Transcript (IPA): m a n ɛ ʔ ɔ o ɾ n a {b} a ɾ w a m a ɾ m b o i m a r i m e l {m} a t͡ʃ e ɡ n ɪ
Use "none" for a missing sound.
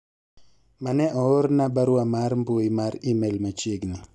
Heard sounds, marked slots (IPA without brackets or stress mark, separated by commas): b, m